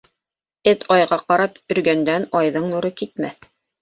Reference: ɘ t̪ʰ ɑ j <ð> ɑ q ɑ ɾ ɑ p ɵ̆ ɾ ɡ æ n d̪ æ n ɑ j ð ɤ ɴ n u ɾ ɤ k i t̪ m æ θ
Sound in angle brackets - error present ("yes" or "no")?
yes